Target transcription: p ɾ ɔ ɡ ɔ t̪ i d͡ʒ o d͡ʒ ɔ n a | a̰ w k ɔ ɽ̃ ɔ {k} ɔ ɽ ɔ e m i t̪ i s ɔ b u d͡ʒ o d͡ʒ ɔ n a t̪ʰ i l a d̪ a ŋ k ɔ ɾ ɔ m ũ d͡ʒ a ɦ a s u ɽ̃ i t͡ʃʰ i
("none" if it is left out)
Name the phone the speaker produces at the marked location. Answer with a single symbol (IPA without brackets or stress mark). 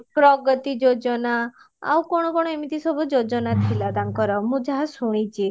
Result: k